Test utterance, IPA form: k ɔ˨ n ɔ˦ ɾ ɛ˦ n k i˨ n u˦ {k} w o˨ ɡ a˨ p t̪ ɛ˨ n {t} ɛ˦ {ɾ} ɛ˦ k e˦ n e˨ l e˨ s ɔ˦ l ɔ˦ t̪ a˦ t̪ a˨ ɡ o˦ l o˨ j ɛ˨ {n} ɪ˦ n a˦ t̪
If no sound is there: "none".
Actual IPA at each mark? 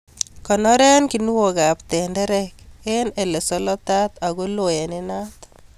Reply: none, d, ɾ, n

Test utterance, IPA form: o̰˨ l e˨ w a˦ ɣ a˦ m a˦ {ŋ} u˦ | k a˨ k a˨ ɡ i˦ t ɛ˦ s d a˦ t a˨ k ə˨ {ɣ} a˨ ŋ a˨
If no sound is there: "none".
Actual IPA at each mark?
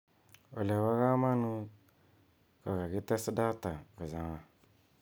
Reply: n, z

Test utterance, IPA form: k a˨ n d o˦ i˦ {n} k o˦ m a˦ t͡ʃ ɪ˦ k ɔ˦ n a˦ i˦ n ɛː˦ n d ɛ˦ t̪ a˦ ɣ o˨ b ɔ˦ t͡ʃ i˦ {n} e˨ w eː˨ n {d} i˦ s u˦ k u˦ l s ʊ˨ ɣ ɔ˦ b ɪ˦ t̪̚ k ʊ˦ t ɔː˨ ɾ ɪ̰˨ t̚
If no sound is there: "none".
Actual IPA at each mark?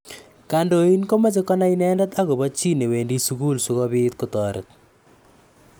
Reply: n, n, d

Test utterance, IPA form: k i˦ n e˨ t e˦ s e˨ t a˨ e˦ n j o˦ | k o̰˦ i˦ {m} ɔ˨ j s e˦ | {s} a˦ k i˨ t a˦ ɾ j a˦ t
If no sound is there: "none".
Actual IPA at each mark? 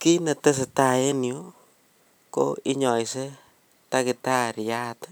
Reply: ɲ, t

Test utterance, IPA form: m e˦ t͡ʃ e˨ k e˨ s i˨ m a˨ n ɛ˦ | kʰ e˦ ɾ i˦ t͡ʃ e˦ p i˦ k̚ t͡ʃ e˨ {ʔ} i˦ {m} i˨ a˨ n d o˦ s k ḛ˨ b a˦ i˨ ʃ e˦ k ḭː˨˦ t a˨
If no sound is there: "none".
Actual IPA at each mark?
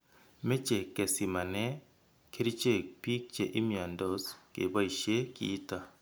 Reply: ʔ, m

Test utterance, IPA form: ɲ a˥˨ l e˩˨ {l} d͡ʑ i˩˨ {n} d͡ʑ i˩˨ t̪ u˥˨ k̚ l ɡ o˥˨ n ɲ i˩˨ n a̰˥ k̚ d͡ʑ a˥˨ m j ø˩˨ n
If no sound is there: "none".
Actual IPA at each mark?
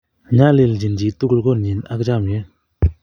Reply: l, n

